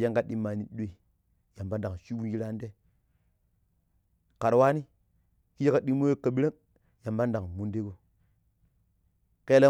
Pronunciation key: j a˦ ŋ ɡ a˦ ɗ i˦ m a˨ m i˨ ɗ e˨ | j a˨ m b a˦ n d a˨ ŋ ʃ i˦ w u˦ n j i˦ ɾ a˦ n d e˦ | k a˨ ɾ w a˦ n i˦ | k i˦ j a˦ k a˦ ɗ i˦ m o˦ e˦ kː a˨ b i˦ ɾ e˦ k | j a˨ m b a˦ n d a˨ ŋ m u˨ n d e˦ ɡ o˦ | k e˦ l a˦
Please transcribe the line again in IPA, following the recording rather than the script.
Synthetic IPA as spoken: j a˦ ŋ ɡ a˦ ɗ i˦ m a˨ n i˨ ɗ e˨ | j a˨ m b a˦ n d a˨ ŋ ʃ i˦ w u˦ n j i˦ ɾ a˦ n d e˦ | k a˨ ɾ w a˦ n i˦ | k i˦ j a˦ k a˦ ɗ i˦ m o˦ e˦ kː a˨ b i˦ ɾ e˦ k | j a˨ m b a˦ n d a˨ ŋ m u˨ n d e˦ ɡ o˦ | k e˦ l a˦